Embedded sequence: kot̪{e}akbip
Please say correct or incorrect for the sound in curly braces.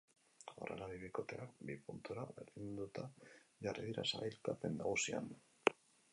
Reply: correct